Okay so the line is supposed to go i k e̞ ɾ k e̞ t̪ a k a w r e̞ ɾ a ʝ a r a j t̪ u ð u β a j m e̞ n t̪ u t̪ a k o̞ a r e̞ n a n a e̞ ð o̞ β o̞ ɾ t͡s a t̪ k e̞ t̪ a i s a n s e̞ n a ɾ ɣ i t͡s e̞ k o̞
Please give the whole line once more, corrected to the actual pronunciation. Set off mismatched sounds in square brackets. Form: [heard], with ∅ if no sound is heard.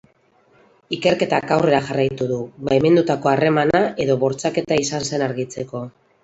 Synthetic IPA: i k e̞ ɾ k e̞ t̪ a k a w r e̞ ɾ a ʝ a r a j t̪ u ð u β a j m e̞ n [d̪] u t̪ a k o̞ a r e̞ [m] a n a e̞ ð o̞ β o̞ ɾ t͡s a [∅] k e̞ t̪ a i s a n s e̞ n a ɾ ɣ i t͡s e̞ k o̞